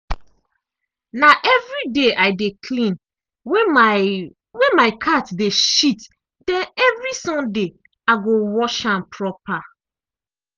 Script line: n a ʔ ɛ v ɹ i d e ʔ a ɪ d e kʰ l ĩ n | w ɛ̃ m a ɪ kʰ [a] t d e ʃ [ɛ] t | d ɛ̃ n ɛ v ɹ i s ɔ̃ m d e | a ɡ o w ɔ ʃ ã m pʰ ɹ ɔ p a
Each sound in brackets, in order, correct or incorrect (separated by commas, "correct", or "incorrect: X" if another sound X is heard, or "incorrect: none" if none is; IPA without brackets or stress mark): correct, incorrect: i